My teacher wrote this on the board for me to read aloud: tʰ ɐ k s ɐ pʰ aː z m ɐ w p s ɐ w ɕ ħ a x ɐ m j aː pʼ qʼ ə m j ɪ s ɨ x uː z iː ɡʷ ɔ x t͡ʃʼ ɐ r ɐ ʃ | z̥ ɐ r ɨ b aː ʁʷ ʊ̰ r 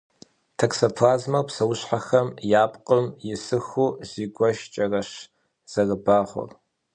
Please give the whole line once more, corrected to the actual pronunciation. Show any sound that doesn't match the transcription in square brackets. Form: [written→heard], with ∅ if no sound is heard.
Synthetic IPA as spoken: tʰ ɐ k s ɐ pʰ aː z m ɐ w p s ɐ w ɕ ħ a x ɐ m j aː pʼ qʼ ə m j ɪ s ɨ x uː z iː ɡʷ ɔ [x→ʃ] t͡ʃʼ ɐ r ɐ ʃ | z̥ ɐ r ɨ b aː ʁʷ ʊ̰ r